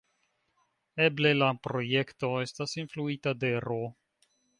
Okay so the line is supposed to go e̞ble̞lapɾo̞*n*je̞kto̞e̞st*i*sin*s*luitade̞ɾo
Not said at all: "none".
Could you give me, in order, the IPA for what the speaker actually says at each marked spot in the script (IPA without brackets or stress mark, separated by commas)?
none, a, f